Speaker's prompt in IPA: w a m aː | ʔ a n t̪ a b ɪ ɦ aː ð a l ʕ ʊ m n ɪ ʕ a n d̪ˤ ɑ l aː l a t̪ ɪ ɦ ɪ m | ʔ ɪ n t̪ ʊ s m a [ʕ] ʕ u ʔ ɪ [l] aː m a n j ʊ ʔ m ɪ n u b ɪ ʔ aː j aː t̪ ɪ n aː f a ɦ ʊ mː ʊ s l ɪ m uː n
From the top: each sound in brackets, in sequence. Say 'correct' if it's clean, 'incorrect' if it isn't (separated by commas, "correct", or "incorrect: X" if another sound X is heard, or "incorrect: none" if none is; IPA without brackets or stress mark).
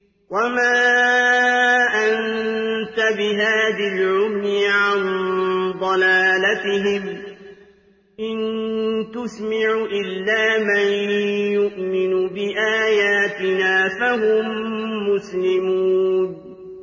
correct, incorrect: lː